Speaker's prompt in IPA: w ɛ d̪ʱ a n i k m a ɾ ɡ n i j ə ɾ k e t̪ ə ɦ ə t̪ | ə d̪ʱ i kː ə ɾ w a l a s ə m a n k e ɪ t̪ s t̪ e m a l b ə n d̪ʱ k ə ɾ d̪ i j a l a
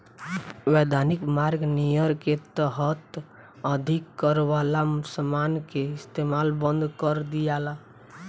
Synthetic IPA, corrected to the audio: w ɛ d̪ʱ a n i k m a ɾ ɡ n i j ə ɾ k e t̪ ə ɦ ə t̪ | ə d̪ʱ i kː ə ɾ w a l a s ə m a n k e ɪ s t̪ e m a l b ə n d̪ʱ k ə ɾ d̪ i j a l a